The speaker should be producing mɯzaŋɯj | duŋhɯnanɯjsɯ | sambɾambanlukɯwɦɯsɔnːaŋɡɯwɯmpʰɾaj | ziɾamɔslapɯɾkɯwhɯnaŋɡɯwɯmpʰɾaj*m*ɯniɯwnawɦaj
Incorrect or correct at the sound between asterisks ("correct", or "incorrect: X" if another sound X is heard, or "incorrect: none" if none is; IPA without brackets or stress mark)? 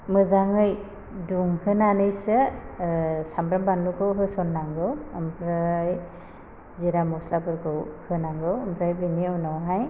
incorrect: b